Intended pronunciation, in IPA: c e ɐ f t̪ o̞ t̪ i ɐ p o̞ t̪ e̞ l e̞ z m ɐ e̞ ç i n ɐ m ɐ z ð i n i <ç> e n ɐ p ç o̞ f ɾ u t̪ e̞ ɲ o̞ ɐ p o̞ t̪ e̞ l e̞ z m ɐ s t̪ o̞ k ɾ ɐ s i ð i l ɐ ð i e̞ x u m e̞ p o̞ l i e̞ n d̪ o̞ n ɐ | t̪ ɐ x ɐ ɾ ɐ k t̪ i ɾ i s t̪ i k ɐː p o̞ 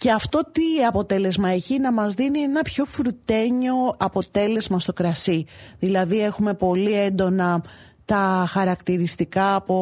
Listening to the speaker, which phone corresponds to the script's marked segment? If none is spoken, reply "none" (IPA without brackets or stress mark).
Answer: none